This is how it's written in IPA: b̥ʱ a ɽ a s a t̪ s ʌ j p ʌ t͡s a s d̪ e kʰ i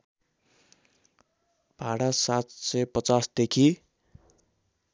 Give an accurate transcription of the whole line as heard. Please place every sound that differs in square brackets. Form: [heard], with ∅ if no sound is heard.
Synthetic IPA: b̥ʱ a ɽ a s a t̪ s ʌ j p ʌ t͡s a s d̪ e kʰ i